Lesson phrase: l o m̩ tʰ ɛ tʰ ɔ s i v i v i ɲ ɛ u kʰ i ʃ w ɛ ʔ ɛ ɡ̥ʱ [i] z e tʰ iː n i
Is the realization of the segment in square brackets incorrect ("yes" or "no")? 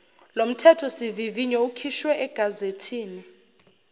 yes